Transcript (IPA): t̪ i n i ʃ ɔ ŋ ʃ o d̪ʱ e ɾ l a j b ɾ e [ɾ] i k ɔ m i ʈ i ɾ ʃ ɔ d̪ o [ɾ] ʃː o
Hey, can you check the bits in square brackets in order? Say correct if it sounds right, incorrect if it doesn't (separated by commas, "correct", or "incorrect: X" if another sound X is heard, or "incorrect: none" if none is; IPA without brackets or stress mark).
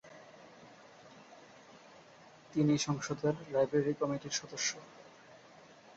correct, incorrect: none